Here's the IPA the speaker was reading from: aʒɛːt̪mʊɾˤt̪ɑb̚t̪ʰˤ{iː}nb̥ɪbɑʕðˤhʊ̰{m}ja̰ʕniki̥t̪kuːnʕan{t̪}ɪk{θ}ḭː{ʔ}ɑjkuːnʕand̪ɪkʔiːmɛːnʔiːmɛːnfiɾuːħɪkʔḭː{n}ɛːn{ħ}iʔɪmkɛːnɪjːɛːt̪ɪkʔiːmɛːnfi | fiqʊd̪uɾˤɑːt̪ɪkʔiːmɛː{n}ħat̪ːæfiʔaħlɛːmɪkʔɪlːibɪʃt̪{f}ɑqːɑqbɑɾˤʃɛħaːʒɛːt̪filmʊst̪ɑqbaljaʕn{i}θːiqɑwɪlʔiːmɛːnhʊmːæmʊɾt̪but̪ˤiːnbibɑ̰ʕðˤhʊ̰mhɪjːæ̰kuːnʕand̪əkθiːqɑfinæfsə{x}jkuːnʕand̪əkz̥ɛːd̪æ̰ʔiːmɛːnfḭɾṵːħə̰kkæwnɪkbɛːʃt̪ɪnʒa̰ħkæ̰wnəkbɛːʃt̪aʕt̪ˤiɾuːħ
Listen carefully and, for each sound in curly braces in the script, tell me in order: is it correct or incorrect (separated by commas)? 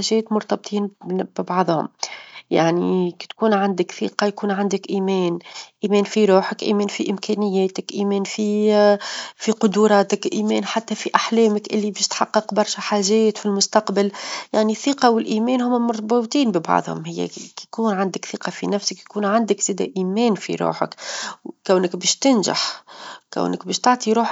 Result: correct, correct, incorrect, correct, incorrect, incorrect, incorrect, correct, incorrect, correct, incorrect